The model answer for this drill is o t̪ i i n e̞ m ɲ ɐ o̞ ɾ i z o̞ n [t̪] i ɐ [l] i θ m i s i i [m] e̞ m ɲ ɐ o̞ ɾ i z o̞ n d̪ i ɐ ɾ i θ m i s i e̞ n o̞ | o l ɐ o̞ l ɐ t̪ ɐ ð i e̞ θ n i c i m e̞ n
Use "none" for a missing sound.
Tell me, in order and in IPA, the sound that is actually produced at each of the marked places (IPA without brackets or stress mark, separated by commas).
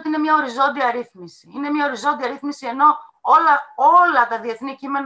d̪, ɾ, n